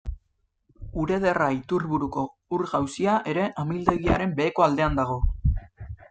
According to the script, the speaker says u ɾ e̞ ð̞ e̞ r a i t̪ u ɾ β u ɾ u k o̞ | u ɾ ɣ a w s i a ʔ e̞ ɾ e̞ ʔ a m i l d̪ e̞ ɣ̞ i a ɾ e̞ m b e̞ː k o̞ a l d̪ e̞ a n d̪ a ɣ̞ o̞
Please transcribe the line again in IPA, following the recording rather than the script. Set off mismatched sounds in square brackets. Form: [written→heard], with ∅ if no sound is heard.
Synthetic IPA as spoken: u ɾ e̞ ð̞ e̞ r a i t̪ u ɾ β u ɾ u k o̞ | u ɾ ɣ a w s i a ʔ e̞ ɾ e̞ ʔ a m i l d̪ e̞ ɣ̞ i a ɾ e̞ m b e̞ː k o̞ a l d̪ e̞ a n d̪ a ɣ̞ o̞